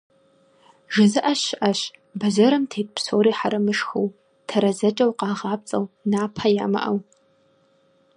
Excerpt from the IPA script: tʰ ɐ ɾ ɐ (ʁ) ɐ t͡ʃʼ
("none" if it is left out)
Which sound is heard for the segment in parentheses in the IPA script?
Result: z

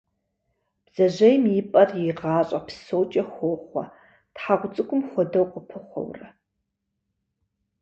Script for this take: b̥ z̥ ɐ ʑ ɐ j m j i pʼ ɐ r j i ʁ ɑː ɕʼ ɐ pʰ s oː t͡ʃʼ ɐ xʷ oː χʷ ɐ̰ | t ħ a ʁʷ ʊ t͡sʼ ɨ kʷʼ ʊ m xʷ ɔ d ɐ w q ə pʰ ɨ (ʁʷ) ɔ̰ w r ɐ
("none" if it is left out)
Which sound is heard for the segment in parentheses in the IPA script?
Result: χʷ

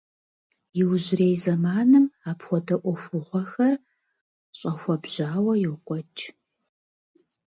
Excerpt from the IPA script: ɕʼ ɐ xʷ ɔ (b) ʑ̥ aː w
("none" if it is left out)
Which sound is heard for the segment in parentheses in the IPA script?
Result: b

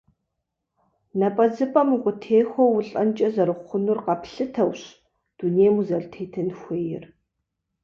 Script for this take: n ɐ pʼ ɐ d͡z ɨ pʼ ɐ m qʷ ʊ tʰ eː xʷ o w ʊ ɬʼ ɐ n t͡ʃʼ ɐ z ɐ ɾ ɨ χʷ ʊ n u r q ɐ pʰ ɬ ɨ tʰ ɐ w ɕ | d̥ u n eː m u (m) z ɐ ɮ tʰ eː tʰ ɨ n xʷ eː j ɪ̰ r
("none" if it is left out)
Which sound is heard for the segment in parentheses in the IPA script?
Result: none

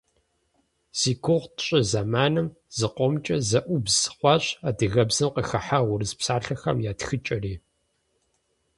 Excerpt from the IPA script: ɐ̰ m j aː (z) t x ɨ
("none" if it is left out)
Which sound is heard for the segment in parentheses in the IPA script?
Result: none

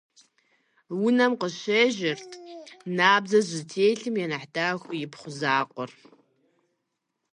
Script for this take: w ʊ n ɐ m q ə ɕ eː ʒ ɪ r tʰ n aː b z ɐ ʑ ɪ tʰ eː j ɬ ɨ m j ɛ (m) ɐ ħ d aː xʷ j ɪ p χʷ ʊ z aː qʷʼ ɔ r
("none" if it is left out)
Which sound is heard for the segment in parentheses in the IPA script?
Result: n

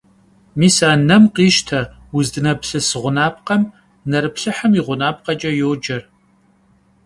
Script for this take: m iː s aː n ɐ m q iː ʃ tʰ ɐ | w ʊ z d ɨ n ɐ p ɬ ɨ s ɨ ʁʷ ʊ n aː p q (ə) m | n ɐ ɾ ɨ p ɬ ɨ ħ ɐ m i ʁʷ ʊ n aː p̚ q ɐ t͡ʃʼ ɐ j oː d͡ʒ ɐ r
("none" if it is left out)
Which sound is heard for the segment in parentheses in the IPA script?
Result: ɐ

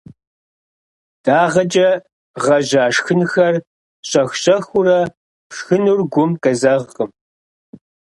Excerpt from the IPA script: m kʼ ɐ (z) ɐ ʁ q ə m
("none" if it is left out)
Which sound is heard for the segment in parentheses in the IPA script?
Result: z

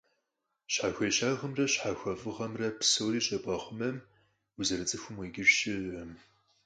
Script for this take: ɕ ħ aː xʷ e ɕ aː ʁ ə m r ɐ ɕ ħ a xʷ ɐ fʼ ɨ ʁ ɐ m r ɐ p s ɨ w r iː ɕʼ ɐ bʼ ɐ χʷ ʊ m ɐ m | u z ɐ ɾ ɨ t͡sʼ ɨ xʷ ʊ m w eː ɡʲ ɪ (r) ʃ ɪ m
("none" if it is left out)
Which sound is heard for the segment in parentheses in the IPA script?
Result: r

